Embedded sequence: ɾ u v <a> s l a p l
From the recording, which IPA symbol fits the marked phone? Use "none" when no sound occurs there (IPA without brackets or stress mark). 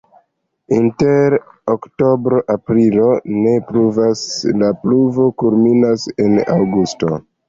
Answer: a